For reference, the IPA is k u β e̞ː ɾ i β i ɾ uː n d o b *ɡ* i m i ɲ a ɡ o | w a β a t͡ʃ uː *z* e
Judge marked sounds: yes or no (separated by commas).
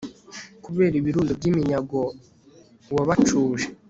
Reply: no, no